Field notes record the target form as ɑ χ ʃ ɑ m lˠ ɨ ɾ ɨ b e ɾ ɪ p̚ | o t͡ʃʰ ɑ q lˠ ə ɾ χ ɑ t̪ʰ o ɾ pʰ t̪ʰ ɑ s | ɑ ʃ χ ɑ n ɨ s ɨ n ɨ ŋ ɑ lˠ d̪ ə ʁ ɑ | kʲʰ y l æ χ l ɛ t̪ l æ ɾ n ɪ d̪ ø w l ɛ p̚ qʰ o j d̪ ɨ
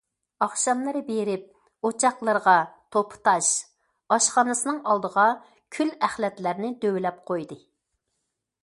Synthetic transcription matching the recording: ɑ χ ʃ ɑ m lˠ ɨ ɾ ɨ b e ɾ ɪ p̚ | o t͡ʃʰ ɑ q lˠ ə ɾ ʁ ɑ t̪ʰ o pʰ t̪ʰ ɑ ʃ | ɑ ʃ χ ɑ n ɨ s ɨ n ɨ ŋ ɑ lˠ d̪ ə ʁ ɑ | kʲʰ y l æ χ l ɛ t̪ l æ ɾ n ɪ d̪ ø w l ɛ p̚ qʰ o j d̪ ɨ